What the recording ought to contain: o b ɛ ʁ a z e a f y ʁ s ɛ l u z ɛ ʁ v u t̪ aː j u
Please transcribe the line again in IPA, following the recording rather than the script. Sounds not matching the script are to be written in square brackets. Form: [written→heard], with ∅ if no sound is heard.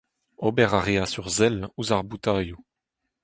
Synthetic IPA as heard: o b ɛ ʁ a [z→ʁ] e a [f→s] y ʁ [s→z] ɛ l u z [ɛ→a] ʁ [v→b] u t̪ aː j u